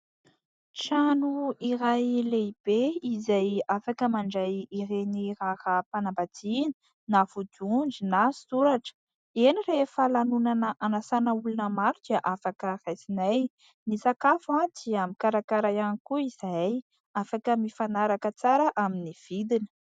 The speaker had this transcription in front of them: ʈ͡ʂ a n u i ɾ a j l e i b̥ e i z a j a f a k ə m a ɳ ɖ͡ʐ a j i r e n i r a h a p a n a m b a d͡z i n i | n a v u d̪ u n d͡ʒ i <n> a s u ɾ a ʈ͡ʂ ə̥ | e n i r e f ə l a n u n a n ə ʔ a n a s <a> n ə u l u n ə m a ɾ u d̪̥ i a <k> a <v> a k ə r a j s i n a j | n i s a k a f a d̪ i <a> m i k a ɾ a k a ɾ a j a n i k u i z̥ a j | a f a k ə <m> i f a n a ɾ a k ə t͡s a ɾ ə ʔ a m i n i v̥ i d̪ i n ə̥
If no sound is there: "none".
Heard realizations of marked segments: n, a, ʔ, f, a, m

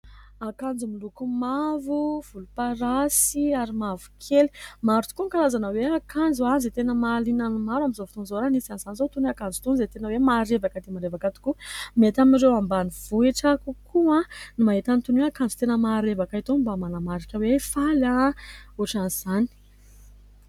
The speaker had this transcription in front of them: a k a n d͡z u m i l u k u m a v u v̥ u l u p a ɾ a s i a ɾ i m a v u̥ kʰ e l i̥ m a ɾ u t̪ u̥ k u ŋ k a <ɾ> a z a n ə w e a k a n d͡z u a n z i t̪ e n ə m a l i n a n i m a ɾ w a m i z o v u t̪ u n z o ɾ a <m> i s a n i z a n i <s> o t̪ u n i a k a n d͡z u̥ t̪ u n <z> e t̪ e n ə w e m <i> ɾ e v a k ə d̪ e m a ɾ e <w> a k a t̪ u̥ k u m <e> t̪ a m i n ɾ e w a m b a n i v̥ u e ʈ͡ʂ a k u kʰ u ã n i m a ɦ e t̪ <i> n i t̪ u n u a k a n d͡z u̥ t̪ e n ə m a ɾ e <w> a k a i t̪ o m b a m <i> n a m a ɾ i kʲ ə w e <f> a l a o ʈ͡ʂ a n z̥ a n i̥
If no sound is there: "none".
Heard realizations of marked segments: l, n, z, z, a, v, e, a, v, a, f

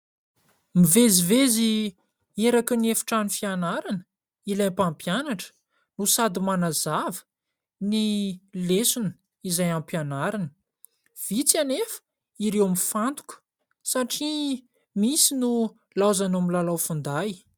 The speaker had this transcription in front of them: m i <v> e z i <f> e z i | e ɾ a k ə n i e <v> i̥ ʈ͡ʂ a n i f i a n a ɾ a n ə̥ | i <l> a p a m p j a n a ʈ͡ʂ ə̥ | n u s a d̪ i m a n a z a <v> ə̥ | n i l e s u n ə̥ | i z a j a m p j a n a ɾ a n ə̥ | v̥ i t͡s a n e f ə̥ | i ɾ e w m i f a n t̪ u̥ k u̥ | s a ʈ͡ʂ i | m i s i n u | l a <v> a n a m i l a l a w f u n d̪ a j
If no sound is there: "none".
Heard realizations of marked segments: v, v, f, l, v, z

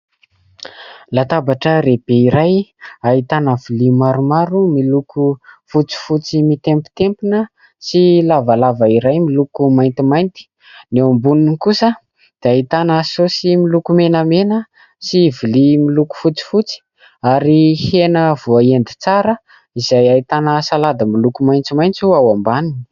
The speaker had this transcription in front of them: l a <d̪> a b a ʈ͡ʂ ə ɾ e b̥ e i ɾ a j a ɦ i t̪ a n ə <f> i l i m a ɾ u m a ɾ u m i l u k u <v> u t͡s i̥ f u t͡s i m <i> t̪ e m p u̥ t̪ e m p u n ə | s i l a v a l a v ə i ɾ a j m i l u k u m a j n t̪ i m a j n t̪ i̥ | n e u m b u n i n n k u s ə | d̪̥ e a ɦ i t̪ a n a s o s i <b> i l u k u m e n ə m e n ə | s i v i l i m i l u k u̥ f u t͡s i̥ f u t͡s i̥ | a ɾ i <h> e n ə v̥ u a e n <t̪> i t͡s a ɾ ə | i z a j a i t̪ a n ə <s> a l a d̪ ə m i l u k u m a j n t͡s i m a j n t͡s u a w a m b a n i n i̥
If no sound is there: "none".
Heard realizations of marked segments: t̪, v, f, i, m, h, d̪, s

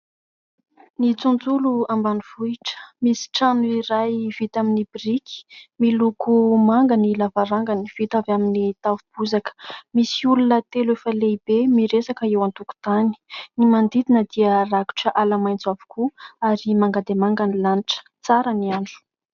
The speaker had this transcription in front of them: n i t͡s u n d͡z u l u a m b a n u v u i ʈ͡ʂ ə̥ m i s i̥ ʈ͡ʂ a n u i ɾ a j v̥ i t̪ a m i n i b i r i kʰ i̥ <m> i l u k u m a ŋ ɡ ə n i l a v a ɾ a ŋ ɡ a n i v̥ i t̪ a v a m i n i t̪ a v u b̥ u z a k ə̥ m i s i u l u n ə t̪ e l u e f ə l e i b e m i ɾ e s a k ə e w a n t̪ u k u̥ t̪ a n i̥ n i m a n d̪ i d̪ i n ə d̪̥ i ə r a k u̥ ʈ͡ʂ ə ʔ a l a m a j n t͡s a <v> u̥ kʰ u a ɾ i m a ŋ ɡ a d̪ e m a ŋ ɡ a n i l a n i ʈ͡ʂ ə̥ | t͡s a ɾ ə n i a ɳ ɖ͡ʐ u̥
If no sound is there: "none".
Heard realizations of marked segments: m, v

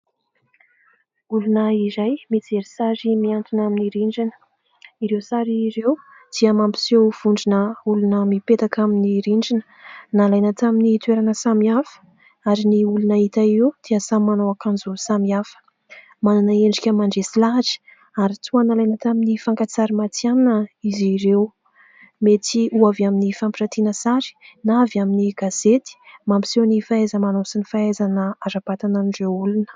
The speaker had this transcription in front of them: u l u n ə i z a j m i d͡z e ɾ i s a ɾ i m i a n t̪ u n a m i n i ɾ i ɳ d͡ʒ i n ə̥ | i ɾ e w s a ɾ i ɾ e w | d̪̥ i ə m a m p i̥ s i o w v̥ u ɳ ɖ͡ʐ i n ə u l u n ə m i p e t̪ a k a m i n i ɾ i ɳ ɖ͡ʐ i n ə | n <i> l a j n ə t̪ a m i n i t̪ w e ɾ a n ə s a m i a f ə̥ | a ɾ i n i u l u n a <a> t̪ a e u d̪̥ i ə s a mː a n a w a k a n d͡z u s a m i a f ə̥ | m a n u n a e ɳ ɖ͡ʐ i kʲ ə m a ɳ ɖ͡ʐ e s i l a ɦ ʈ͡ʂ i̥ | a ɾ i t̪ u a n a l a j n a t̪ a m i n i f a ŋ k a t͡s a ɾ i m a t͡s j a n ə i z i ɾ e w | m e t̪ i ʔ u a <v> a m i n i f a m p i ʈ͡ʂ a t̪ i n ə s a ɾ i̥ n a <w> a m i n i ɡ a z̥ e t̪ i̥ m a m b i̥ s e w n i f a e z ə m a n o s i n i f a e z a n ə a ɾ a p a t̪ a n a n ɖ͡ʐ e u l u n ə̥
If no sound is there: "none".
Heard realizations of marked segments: a, i, v, v

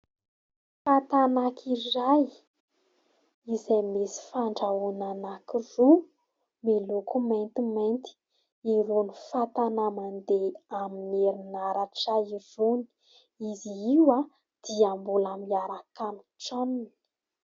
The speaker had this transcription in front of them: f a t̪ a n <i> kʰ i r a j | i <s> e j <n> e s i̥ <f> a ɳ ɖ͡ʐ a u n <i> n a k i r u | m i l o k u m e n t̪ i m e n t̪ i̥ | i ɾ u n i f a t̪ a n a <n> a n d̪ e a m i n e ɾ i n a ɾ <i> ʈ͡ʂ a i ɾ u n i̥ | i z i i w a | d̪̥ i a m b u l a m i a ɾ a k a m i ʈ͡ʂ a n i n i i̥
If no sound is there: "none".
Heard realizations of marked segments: a, z, m, f, a, m, a

